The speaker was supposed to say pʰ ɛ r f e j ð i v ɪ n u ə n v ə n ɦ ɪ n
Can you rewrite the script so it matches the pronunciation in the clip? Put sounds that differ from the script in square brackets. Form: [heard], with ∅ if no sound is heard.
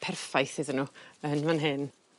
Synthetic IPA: pʰ ɛ r f [a] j [θ] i [ð] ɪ n u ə n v [a] n ɦ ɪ n